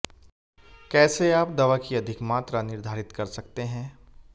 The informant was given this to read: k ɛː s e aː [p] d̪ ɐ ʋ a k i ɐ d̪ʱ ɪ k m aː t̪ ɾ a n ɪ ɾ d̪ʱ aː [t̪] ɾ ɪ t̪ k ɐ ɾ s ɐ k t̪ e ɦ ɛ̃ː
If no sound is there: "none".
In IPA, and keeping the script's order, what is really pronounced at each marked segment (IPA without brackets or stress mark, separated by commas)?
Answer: p, none